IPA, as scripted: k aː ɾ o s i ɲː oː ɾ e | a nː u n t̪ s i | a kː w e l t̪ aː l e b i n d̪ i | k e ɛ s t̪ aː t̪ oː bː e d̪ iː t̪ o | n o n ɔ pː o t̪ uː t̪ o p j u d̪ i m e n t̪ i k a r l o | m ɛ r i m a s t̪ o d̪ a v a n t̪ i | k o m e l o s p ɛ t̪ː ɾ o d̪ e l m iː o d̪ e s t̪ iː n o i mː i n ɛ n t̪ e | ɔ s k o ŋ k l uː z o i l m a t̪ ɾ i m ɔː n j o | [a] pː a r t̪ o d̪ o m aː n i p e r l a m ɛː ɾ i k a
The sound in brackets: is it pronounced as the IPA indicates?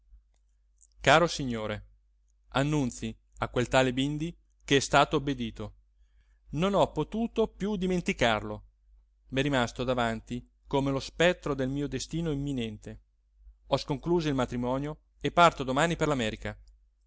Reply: no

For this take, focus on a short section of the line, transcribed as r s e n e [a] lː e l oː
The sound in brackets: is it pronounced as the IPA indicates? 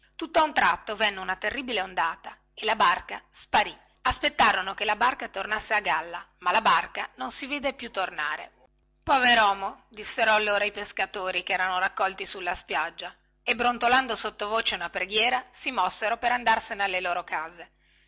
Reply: yes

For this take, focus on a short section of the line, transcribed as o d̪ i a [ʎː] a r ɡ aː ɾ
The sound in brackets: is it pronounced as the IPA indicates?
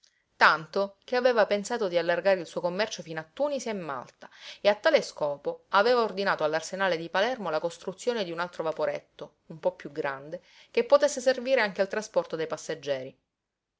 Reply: no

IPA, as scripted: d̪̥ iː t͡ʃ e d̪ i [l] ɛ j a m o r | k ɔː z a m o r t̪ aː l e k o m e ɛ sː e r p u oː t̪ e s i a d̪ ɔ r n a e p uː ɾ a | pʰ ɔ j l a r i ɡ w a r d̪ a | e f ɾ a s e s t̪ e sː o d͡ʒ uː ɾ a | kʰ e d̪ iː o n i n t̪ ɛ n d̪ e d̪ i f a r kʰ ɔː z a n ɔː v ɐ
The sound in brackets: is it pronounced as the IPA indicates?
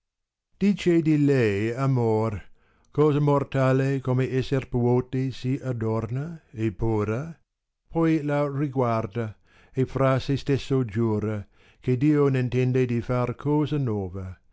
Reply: yes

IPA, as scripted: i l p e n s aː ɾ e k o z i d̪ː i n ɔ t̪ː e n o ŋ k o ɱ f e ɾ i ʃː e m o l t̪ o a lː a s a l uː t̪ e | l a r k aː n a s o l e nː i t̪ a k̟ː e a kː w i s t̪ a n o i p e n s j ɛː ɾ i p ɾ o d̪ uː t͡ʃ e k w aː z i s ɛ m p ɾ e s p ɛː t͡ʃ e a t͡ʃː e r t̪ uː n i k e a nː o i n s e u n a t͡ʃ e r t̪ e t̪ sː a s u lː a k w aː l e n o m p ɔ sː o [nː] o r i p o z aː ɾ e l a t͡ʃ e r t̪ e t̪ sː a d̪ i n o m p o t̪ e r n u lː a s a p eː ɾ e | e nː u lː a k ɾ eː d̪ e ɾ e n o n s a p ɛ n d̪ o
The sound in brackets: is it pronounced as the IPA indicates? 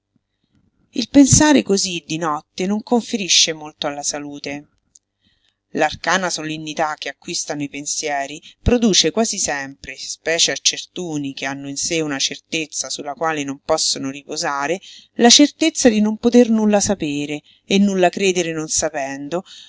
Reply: no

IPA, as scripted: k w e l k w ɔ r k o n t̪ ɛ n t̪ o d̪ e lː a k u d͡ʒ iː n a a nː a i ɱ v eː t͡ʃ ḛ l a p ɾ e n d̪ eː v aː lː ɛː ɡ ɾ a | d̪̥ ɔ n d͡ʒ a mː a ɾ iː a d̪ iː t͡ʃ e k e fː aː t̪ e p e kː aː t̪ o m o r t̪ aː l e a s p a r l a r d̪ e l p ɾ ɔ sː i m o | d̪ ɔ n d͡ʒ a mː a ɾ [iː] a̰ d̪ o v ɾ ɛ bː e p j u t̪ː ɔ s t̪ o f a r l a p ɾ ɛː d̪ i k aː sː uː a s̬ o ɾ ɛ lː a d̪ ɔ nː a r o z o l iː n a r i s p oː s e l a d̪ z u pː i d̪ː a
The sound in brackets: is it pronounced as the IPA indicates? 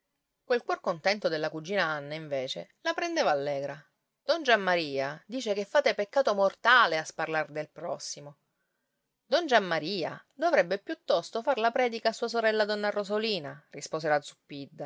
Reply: yes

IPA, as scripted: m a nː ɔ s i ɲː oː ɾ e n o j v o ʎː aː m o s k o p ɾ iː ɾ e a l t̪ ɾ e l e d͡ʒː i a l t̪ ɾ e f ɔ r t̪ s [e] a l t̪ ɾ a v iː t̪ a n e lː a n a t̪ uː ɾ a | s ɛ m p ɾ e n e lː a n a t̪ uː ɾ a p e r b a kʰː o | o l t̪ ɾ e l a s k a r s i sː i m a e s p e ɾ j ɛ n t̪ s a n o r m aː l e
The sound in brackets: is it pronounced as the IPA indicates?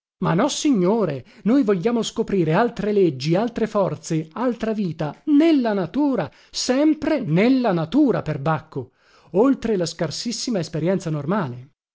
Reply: yes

